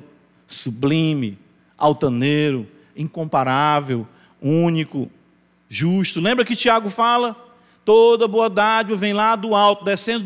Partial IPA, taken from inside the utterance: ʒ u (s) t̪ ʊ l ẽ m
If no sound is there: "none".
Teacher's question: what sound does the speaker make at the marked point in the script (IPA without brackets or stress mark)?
ʃ